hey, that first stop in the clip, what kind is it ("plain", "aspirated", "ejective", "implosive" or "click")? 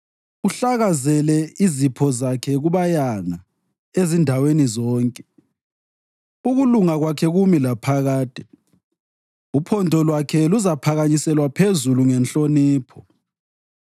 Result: aspirated